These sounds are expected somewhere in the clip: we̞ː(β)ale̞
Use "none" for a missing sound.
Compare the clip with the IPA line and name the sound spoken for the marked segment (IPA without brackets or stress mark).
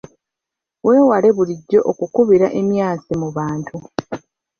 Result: w